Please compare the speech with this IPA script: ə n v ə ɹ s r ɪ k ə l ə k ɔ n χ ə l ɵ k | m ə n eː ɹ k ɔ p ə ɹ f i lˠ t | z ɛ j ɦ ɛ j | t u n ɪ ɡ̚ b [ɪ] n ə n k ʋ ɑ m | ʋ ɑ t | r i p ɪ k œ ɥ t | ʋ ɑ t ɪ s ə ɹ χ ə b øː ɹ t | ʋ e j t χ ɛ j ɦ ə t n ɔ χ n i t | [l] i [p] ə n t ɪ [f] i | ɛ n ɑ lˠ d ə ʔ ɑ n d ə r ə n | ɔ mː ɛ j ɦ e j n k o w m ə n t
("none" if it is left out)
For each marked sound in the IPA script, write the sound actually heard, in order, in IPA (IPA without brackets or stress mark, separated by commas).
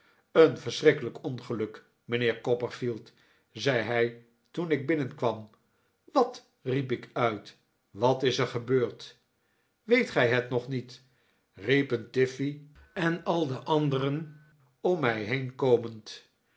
ɪ, r, p, f